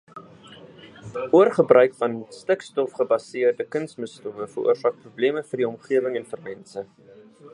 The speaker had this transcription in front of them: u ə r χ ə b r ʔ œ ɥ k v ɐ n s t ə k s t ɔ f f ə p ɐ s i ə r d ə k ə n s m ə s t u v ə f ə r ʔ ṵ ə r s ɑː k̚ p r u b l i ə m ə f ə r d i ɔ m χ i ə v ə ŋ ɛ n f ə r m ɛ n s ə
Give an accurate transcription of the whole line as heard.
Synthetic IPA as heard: u ə r χ ə b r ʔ œ ɥ k f ɐ n s t ə k s t ɔ f χ ə b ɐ s i ə r d ə k ə n s m ə s t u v ə f ə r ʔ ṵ ə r s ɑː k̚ p r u b l i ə m ə f ə r d i ɔ m χ i ə v ə ŋ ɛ n f ə r m ɛ n s ə